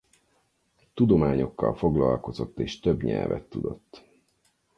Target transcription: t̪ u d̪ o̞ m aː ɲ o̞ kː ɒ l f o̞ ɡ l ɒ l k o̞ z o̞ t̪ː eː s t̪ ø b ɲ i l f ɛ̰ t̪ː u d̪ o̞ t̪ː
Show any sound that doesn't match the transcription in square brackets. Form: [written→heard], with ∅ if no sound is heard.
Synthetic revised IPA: t̪ u d̪ o̞ m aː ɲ o̞ kː ɒ l f o̞ ɡ l ɒ l k o̞ z o̞ t̪ː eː [s→ʃ] t̪ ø b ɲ [i→ɛ] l [f→v] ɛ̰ t̪ː u d̪ o̞ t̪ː